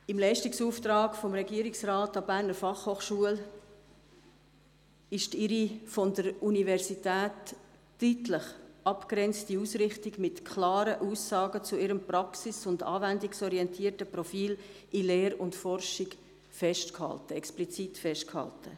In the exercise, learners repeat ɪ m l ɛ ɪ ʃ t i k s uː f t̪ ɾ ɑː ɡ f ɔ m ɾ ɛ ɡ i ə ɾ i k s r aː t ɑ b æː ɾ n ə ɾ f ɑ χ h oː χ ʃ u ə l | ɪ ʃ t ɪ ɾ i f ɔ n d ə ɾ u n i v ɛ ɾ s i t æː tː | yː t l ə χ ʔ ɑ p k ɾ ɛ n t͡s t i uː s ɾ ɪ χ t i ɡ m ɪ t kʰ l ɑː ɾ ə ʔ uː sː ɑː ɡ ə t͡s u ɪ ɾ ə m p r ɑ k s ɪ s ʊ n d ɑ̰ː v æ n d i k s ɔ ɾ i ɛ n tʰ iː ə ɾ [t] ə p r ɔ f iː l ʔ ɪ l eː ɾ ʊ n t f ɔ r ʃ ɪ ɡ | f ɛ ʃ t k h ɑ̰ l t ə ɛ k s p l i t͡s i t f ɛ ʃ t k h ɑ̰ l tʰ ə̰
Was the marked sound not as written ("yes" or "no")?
no